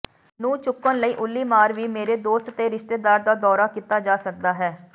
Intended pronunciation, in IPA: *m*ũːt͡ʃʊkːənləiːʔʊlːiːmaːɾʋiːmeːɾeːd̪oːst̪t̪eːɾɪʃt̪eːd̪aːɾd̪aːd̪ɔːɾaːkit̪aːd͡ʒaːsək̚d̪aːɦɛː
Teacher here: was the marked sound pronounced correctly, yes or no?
no